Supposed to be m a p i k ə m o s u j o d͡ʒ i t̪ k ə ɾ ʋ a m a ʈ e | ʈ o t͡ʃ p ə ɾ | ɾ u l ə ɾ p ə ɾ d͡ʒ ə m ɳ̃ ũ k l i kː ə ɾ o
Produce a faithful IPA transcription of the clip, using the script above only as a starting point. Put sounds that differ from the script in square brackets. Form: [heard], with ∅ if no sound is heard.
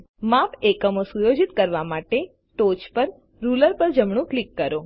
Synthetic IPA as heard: m a p [e] k ə m o s u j o d͡ʒ i t̪ k ə ɾ ʋ a m a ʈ e | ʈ o t͡ʃ p ə ɾ | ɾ u l ə ɾ p ə ɾ d͡ʒ ə m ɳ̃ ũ k l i kː ə ɾ o